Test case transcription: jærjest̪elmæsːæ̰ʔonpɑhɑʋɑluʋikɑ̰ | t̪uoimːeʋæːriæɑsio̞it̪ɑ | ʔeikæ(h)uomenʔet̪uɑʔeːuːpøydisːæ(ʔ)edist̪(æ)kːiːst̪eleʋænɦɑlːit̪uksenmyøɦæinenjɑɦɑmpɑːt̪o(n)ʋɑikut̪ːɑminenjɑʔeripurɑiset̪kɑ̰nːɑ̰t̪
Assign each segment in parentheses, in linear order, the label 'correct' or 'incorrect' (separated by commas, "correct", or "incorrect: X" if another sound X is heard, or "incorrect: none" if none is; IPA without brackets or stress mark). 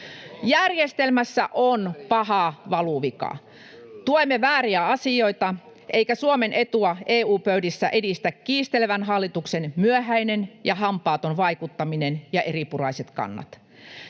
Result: incorrect: s, correct, correct, correct